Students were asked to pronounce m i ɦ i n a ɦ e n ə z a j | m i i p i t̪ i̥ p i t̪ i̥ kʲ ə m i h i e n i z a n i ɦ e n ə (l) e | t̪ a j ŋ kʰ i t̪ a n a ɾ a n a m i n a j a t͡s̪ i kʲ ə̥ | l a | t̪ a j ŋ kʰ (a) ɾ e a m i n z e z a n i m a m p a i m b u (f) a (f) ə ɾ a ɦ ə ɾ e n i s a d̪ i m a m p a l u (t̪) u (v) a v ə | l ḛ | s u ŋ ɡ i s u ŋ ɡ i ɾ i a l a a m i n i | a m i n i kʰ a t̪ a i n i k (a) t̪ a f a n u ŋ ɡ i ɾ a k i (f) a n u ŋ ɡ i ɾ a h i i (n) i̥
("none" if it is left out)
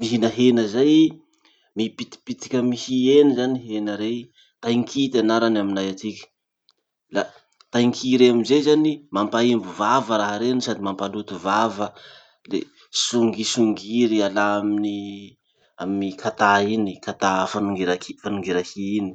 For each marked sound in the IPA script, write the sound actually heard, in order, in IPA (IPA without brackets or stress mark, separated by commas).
ɾ, i, v, v, t̪, v, a, f, n